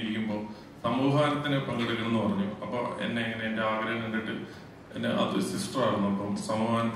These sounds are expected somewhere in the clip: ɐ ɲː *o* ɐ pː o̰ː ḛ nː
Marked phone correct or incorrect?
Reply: incorrect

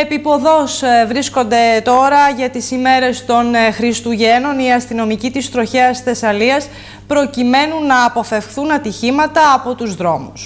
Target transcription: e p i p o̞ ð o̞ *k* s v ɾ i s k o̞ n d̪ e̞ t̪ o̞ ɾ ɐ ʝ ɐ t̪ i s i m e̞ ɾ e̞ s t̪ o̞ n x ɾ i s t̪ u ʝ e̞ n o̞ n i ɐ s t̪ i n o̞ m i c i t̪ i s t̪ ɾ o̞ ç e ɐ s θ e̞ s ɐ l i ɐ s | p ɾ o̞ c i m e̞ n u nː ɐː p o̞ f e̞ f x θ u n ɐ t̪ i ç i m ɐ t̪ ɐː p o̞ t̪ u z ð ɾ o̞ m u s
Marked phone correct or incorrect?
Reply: incorrect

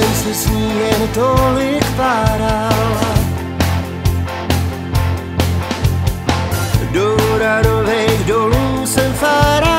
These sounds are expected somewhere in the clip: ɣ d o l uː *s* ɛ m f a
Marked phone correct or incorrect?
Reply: correct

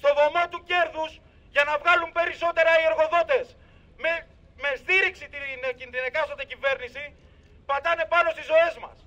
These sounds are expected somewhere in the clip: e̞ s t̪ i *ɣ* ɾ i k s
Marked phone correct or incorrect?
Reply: incorrect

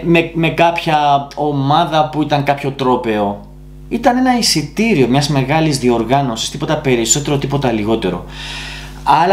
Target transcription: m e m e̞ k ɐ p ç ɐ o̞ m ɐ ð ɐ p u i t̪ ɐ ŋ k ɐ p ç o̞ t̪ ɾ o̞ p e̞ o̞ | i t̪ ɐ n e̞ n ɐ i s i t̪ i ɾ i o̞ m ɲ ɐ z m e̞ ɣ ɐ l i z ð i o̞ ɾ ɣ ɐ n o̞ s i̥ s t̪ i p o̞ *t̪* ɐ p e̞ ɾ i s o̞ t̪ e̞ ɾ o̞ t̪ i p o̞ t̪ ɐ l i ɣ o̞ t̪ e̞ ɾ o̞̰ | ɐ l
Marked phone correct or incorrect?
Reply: correct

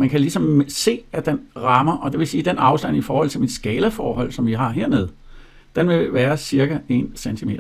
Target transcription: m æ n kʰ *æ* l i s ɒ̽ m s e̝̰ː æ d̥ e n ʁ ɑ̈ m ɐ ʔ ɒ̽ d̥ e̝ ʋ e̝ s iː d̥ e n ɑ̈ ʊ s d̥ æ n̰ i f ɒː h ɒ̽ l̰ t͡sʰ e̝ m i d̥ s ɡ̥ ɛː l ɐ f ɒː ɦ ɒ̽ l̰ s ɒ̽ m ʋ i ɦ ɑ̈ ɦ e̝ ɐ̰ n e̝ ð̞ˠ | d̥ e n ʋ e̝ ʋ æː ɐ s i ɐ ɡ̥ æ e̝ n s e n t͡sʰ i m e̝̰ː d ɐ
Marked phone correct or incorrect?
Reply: correct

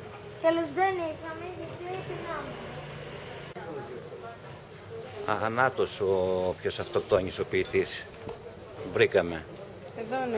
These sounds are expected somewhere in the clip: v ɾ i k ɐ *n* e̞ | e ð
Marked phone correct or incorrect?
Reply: incorrect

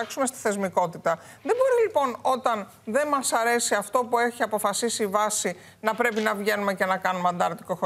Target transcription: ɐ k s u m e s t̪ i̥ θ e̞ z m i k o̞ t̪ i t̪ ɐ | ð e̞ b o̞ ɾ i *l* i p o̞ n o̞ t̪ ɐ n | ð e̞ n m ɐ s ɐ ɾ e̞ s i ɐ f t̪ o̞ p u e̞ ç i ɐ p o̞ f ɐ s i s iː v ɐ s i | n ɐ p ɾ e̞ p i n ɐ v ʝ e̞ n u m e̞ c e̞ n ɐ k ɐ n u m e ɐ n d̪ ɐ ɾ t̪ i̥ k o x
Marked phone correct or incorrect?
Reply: correct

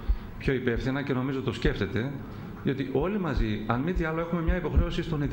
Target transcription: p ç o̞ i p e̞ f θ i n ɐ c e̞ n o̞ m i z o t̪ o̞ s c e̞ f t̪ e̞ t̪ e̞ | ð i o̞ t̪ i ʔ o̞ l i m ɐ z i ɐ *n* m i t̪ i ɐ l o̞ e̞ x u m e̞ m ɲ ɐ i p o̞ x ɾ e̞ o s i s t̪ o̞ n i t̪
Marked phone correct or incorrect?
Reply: correct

